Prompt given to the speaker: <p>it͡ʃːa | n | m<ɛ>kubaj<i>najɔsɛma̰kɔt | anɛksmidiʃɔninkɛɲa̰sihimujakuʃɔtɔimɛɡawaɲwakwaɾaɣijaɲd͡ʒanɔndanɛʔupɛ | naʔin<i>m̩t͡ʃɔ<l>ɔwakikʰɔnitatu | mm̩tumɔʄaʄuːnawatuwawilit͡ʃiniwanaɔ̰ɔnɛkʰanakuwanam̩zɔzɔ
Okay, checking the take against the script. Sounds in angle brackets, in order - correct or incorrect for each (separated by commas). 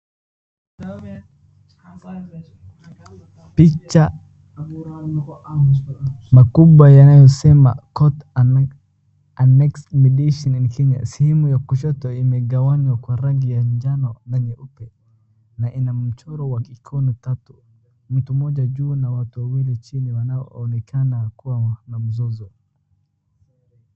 correct, incorrect, incorrect, incorrect, incorrect